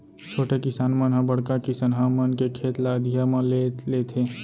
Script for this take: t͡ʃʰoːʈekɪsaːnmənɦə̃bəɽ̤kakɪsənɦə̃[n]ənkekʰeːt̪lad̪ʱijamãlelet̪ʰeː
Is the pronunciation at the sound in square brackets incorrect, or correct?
incorrect